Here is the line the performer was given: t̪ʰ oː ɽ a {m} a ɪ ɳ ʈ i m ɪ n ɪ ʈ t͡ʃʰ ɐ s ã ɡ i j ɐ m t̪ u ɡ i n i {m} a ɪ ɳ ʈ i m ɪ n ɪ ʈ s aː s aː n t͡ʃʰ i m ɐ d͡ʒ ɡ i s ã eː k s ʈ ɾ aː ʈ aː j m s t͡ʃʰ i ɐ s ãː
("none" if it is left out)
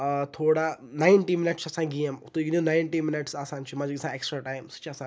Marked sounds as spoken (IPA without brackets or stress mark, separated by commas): n, n